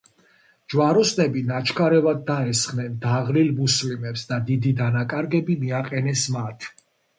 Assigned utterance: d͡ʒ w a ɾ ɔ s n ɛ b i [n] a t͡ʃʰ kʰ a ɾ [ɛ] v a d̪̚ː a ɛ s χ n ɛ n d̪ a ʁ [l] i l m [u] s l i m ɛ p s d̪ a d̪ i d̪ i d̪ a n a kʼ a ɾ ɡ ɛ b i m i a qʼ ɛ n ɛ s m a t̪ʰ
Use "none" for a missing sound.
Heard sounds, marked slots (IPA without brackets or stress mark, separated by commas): n, ɛ, l, u